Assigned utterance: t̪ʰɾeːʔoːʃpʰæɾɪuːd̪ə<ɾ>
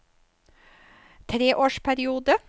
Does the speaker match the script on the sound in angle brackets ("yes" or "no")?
no